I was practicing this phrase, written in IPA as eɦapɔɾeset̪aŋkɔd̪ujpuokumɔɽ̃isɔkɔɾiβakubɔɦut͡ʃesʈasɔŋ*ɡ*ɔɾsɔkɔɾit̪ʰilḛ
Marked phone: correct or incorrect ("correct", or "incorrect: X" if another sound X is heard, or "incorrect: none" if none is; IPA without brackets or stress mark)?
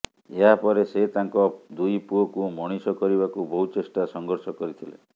correct